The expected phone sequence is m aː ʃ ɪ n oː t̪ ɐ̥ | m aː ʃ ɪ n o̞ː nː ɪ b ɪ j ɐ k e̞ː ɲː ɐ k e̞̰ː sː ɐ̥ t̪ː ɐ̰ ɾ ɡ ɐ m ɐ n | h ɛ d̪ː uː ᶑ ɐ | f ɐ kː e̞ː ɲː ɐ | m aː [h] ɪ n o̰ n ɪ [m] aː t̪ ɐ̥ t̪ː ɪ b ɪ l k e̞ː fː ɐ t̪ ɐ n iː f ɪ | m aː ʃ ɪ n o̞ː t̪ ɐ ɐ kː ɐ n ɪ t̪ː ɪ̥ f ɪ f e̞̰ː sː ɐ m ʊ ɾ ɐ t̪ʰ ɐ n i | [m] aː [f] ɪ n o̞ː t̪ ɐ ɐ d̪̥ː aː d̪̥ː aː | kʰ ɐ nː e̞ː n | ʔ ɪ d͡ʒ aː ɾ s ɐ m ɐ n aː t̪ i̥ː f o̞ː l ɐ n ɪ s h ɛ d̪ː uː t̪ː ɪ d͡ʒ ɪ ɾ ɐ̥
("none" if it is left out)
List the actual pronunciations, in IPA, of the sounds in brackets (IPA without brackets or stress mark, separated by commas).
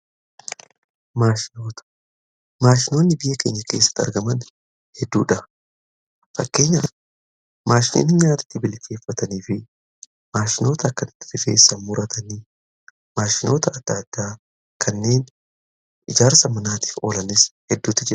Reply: ʃ, ɲ, m, ʃ